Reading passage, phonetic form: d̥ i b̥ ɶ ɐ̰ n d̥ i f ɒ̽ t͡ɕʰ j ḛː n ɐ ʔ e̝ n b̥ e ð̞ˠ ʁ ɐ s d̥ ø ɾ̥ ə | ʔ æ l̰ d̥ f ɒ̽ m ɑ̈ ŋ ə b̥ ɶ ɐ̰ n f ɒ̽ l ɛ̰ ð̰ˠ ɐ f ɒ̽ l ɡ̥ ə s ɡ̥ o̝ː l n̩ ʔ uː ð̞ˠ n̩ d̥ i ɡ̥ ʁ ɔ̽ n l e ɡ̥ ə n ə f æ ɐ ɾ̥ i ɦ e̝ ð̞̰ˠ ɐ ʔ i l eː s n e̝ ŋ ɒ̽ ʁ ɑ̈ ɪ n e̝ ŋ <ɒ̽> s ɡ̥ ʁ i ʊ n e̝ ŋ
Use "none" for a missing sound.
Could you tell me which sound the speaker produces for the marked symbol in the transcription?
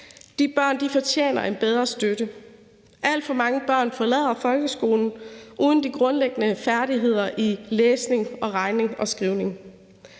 ɒ̽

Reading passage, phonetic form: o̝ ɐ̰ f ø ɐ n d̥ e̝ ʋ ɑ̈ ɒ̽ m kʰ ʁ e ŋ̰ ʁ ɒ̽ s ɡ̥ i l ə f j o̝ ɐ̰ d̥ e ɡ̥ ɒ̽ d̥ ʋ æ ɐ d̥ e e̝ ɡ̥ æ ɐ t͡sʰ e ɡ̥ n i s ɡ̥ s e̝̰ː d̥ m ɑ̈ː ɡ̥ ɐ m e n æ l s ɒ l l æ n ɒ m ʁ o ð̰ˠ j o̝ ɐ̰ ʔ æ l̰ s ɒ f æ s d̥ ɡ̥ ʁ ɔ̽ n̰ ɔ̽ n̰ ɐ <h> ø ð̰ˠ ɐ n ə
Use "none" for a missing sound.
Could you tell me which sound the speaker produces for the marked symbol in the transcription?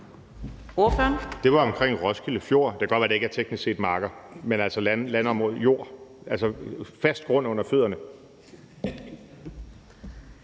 f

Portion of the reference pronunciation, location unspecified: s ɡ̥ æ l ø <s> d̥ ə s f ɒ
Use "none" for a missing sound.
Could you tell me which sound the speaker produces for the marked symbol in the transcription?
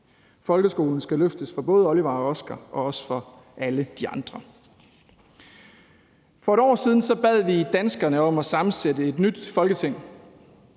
f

